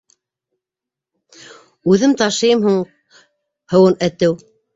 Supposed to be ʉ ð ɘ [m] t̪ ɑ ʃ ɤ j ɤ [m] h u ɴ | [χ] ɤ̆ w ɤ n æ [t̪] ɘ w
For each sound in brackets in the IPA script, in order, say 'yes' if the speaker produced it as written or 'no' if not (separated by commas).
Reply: yes, yes, no, yes